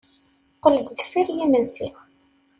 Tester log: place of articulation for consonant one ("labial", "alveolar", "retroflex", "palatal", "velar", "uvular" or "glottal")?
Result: uvular